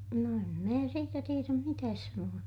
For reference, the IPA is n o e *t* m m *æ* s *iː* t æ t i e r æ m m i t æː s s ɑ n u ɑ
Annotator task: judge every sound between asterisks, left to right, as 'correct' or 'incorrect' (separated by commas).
incorrect, incorrect, correct